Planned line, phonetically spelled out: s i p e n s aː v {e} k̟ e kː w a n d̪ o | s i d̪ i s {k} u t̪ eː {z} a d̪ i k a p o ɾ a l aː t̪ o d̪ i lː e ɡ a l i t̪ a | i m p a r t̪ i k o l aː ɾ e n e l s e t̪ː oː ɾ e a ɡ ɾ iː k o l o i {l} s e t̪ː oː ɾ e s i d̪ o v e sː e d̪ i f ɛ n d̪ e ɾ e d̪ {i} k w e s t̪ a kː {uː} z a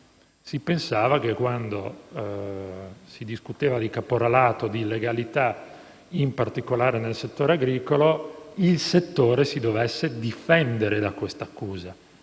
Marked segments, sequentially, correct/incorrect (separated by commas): incorrect, correct, incorrect, correct, incorrect, correct